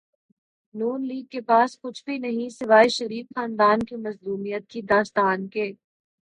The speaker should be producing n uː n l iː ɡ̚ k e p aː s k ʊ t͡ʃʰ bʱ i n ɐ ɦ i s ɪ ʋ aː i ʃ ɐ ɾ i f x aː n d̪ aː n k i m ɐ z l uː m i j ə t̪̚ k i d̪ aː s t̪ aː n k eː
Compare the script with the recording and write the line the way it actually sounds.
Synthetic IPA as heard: n uː n l iː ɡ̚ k e p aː s k ʊ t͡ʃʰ bʱ i n ɐ ɦ ĩ s ɪ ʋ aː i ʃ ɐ ɾ iː f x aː n d̪ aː n k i m ɐ z l uː m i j ə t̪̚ k i d̪ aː s t̪ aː n k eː